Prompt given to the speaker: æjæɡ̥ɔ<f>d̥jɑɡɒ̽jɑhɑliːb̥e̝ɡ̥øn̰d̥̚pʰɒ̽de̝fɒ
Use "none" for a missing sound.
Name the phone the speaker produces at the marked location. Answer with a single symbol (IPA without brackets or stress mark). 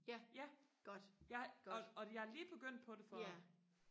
none